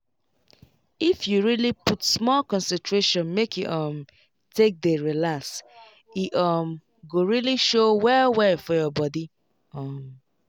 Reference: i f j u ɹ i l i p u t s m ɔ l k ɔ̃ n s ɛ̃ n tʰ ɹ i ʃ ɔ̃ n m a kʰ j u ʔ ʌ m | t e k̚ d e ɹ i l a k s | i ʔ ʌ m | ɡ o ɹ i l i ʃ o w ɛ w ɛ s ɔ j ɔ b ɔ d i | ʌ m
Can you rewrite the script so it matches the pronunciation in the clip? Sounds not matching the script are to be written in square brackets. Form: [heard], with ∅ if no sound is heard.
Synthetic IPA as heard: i f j u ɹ i l i p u t s m ɔ l k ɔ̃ n s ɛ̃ n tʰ ɹ [e] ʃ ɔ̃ n m [e] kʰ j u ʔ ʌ m | t e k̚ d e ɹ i l a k s | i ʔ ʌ m | ɡ o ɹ i l i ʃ o w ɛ w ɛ [f] ɔ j ɔ b ɔ d i | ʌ m